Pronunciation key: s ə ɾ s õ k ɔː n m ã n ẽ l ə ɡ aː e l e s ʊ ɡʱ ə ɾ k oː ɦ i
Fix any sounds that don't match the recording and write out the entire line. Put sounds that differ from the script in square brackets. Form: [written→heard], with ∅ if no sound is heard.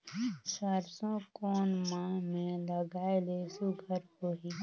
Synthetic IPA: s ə ɾ s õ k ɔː n m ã [n→m] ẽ l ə ɡ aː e l e s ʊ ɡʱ ə ɾ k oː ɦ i